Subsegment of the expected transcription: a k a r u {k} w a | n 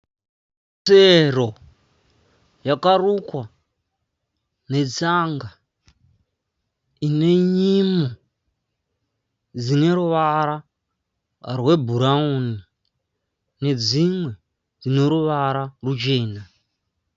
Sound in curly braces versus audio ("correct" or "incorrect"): correct